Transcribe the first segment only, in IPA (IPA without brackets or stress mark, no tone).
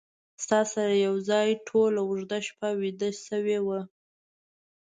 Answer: s